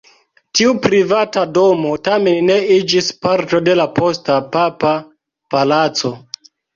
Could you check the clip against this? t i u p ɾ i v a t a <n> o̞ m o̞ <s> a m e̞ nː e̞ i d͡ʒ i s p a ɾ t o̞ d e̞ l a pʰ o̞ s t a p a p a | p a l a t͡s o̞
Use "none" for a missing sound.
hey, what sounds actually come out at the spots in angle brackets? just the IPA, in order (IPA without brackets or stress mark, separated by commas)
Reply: d, t